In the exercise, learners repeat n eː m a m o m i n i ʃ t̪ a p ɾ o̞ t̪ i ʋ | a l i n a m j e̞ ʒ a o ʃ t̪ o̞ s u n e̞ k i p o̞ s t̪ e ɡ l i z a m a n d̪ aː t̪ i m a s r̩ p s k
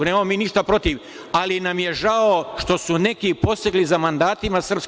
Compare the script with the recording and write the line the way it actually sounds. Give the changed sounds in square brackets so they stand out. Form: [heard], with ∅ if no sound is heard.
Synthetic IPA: n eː m a m o m [iː] n i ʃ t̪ a p ɾ o̞ t̪ i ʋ | a l i n a m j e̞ ʒ a o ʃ t̪ o̞ s u n e̞ k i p o̞ s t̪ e ɡ l i z a m a n d̪ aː t̪ i m a s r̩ p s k